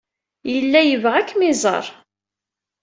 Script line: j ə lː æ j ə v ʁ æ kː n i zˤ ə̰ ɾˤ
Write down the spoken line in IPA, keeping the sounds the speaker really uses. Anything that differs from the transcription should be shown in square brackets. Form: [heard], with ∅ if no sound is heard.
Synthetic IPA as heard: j ə lː æ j ə v ʁ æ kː [m] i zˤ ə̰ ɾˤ